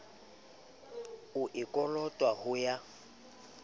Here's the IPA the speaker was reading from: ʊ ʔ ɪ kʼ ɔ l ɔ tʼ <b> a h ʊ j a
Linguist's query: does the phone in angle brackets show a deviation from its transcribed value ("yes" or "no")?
yes